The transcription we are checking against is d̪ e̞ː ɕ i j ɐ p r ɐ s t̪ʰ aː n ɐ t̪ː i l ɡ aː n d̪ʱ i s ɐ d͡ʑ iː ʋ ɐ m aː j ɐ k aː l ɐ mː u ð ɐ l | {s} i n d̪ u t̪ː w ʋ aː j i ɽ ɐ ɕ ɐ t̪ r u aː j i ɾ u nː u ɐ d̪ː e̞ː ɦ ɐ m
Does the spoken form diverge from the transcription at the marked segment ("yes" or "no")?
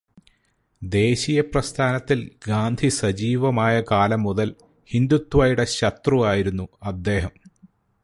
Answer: yes